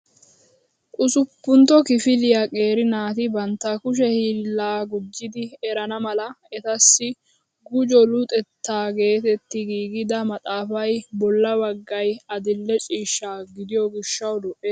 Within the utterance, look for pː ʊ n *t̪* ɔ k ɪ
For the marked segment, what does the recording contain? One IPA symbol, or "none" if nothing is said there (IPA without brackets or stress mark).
t̪